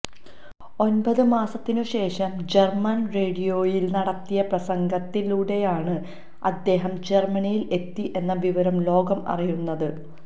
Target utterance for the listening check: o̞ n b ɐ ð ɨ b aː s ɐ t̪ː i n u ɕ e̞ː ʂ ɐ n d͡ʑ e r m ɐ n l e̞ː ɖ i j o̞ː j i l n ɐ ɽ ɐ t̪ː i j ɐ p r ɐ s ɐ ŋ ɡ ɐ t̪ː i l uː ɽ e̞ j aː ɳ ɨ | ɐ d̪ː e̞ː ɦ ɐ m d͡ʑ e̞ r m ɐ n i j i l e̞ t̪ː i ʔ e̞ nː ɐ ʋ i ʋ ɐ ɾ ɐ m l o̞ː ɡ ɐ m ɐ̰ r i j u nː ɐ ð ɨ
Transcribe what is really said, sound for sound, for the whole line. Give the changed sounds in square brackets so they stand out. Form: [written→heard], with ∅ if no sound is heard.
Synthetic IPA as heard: o̞ n b ɐ ð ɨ [b→m] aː s ɐ t̪ː i n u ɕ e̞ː ʂ ɐ [n→m] d͡ʑ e r m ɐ n [l→r] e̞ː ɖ i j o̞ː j i l n ɐ ɽ ɐ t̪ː i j ɐ p r ɐ s ɐ ŋ ɡ ɐ t̪ː i l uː ɽ e̞ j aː ɳ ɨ | ɐ d̪ː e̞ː ɦ ɐ m d͡ʑ e̞ r m ɐ n i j i l e̞ t̪ː i ʔ e̞ nː ɐ ʋ i ʋ ɐ ɾ ɐ m l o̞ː ɡ ɐ m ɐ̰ r i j u nː ɐ ð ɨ